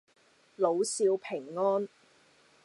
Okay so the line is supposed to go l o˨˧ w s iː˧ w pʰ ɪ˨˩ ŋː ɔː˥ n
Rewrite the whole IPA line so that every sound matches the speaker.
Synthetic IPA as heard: l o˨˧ w s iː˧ w pʰ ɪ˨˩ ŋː ɔː˥ n